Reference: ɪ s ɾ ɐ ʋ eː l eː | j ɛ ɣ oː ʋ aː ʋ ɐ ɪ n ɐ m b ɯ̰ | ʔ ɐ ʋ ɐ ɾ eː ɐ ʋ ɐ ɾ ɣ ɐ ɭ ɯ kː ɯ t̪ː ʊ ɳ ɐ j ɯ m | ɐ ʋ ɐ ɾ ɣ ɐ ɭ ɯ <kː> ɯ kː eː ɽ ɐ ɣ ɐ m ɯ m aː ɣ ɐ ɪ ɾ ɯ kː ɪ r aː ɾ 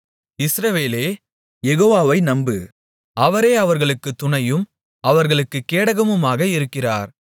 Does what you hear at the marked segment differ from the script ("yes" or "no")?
no